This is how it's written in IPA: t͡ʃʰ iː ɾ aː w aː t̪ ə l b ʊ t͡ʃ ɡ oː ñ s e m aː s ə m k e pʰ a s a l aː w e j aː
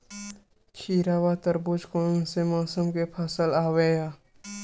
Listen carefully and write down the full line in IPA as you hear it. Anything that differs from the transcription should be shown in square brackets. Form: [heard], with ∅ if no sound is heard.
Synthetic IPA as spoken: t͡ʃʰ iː ɾ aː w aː t̪ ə [ɾ] b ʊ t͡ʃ [k] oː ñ s e m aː s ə m k e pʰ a s [ə] l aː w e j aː